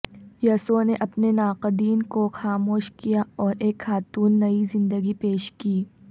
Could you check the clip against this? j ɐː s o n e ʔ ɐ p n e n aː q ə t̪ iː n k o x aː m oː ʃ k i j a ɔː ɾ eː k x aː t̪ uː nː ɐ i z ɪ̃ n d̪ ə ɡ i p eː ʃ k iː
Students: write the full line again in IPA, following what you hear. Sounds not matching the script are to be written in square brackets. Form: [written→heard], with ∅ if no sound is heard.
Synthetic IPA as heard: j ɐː s o n e ʔ ɐ p n e n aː q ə [t̪→d̪] iː n k o x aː m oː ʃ k i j a ɔː ɾ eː k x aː t̪ uː nː ɐ i z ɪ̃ n d̪ ə ɡ i p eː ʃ k iː